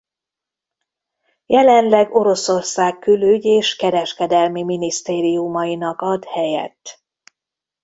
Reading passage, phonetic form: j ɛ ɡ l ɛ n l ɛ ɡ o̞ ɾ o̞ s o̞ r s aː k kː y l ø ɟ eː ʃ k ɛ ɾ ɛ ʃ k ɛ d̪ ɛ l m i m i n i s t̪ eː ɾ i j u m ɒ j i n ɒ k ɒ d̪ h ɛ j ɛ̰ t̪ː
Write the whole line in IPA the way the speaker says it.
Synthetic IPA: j ɛ l ɛ n l ɛ ɡ o̞ ɾ o̞ s o̞ r s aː k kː y l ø ɟ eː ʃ k ɛ ɾ ɛ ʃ k ɛ d̪ ɛ l m i m i n i s t̪ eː ɾ i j u m ɒ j i n ɒ k ɒ d̪ h ɛ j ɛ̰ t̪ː